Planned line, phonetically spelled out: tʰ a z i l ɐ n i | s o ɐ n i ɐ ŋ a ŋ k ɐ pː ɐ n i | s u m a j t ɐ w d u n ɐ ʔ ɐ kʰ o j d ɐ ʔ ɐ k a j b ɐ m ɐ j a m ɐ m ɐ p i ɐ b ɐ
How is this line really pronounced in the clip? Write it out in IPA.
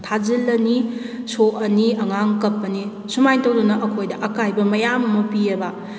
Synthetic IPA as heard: tʰ a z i l ɐ n i | s o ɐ n i ɐ ŋ a ŋ k ɐ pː ɐ n i | s u m a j t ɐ w d u n ɐ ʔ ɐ kʰ o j d ɐ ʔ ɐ k a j b ɐ m ɐ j a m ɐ m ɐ p i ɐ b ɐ